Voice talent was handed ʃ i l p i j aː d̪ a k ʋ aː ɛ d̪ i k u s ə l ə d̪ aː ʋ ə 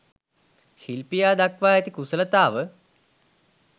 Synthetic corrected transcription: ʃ i l p i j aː d̪ a k ʋ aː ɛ t̪ i k u s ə l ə t̪ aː ʋ ə